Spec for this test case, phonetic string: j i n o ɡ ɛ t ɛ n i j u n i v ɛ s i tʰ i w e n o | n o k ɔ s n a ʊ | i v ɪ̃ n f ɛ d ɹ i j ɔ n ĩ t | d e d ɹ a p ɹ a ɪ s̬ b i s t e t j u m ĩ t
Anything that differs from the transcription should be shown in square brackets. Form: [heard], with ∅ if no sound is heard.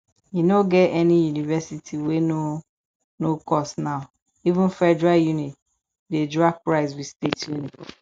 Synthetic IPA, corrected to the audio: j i n o ɡ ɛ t ɛ n i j u n i v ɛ s i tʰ i w e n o | n o k ɔ s n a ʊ | i v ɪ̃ n f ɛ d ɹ [a] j [u] n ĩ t | d e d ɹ a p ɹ a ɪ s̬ [w] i s t e t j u [n] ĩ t